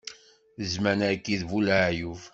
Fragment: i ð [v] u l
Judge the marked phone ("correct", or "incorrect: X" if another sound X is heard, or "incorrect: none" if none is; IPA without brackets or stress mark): correct